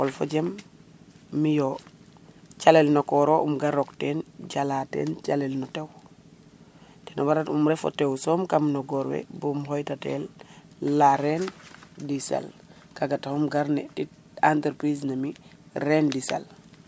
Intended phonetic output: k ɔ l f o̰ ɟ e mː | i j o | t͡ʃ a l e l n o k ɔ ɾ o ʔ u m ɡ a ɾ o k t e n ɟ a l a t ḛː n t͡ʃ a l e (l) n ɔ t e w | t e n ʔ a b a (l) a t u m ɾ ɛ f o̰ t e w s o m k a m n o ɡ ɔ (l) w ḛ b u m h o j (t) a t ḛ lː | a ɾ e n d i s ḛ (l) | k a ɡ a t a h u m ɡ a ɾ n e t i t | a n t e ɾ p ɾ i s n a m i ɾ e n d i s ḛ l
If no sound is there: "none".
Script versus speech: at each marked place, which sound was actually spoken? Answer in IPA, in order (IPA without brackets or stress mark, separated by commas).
l, ɾ, ɾ, t, l